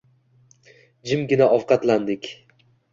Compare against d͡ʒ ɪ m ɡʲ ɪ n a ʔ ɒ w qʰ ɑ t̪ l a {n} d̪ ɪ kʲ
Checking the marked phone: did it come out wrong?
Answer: no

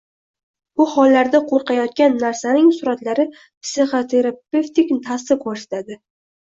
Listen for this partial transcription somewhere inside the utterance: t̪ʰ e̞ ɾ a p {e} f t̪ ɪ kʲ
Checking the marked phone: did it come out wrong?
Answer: no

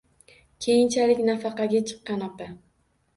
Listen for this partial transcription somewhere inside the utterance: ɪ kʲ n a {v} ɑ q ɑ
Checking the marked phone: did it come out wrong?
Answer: yes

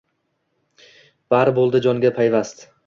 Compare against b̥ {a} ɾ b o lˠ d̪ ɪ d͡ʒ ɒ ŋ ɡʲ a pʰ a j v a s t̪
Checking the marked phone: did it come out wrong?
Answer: no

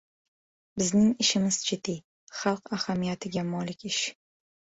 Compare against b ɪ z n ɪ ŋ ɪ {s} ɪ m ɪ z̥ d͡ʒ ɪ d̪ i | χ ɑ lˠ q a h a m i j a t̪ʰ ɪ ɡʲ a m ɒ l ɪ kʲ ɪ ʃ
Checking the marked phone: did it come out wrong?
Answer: yes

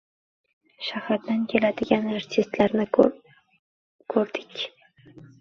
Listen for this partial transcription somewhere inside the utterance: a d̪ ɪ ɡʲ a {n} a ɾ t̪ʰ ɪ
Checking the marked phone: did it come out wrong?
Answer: no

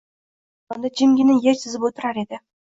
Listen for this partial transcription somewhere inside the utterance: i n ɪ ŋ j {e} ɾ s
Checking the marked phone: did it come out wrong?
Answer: no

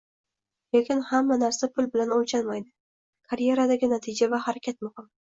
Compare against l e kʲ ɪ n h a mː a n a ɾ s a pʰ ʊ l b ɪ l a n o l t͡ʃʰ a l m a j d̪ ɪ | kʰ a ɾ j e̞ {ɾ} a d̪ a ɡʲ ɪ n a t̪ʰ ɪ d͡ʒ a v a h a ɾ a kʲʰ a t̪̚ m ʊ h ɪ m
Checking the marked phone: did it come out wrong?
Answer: no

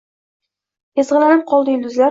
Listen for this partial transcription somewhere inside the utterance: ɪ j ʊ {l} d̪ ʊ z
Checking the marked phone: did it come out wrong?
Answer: no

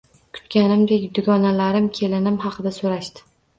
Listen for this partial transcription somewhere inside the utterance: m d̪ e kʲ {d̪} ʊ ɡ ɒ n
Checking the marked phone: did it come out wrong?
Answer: no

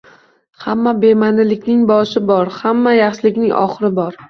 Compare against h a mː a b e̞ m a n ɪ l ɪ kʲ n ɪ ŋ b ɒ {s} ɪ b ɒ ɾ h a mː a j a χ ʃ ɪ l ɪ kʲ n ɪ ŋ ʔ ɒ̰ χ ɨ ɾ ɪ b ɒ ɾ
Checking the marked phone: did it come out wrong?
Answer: yes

